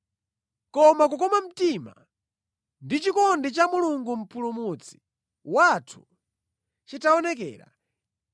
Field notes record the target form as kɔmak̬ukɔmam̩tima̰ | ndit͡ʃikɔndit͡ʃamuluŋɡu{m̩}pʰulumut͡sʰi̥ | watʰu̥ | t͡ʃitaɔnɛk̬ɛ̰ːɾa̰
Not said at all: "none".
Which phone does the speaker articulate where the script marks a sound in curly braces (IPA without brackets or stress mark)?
m̩